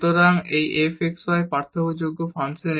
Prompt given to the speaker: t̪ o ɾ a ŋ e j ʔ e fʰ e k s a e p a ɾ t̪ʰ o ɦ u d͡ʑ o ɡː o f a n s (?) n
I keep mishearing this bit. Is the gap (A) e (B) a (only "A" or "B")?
A